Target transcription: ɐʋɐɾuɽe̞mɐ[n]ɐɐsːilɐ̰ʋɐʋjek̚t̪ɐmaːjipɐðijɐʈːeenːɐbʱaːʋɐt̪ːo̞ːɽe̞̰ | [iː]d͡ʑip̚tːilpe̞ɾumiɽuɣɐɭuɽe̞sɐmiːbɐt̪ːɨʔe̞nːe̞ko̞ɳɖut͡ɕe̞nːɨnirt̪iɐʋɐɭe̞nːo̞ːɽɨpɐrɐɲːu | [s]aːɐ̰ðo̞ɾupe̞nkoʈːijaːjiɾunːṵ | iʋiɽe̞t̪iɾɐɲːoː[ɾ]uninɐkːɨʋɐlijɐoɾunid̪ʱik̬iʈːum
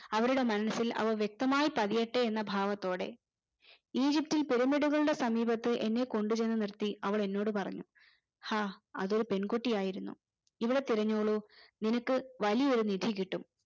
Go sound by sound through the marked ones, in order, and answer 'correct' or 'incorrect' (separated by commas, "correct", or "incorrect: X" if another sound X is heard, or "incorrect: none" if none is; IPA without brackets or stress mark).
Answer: correct, correct, incorrect: h, incorrect: ɭ